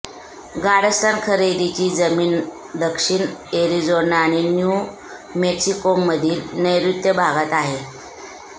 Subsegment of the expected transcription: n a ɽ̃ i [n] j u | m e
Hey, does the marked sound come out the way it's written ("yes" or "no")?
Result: yes